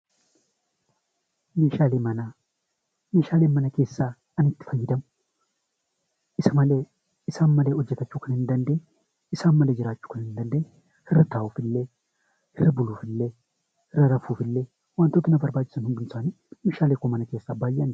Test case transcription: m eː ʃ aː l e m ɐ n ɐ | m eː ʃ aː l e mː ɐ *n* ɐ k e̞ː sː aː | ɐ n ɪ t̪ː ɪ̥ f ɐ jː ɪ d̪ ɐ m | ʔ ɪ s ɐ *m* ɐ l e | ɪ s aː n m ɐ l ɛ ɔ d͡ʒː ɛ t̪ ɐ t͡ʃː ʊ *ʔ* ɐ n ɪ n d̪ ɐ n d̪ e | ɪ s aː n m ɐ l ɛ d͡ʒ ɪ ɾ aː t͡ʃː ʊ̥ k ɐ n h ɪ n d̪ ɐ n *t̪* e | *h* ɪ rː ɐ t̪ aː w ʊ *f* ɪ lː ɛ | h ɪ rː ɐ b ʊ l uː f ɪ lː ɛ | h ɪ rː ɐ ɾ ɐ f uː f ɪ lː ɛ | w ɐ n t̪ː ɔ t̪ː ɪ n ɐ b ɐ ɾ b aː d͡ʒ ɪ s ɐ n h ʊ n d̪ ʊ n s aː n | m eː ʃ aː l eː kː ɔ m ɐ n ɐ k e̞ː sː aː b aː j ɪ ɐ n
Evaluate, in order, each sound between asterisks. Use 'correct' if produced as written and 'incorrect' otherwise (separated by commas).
correct, correct, incorrect, incorrect, correct, correct